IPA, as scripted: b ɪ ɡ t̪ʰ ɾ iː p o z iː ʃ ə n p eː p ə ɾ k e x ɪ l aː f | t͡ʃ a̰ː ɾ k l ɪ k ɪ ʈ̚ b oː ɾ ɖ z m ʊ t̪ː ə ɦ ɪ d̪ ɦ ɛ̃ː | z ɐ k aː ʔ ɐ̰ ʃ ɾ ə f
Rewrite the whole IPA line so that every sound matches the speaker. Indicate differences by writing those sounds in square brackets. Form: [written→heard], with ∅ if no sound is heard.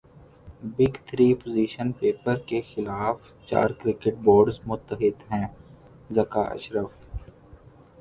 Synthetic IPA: b ɪ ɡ t̪ʰ ɾ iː p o z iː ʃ ə n p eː p ə ɾ k e x ɪ l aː f | t͡ʃ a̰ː ɾ k [l→ɾ] ɪ k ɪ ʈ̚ b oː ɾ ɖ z m ʊ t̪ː ə ɦ ɪ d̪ ɦ ɛ̃ː | z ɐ k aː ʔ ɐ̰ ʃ ɾ ə f